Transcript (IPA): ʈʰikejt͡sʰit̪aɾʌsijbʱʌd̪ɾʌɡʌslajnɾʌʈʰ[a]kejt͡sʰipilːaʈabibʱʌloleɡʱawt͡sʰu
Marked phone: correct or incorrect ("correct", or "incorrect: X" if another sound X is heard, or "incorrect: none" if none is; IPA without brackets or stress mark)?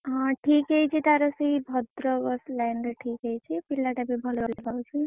incorrect: i